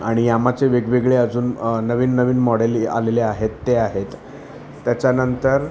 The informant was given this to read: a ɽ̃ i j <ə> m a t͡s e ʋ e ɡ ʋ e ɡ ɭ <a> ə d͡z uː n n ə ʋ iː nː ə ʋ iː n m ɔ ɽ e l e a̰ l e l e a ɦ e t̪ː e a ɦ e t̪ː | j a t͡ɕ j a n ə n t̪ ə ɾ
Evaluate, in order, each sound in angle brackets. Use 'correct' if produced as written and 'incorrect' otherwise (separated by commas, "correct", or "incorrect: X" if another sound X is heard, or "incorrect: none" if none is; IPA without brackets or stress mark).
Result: incorrect: a, incorrect: e